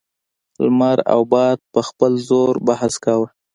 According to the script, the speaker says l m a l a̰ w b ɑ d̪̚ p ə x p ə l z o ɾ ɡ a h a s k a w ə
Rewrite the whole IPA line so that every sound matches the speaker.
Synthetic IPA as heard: l m a ɾ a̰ w b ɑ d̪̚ p ə x p ə l z o ɾ b a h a s k a w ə